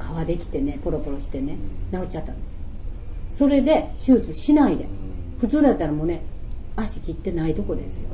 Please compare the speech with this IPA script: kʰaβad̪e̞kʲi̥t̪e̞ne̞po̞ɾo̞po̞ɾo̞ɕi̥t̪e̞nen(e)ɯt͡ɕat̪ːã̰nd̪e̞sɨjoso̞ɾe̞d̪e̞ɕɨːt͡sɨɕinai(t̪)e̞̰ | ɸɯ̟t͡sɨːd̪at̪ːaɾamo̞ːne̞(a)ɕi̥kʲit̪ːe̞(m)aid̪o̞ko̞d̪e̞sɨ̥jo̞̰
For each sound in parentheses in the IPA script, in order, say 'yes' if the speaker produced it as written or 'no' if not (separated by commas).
no, no, yes, no